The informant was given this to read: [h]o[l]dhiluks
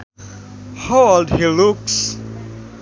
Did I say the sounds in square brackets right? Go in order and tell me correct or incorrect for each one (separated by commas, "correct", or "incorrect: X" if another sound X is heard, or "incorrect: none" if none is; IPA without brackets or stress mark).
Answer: correct, correct